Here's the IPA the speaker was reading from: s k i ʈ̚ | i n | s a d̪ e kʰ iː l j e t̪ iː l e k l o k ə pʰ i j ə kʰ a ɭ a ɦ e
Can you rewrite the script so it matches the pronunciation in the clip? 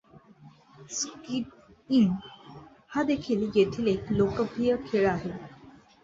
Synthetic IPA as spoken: s k i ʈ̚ | i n | h a d̪ e kʰ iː l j e t̪ʰ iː l e k l o k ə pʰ i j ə kʰ e ɭ a ɦ e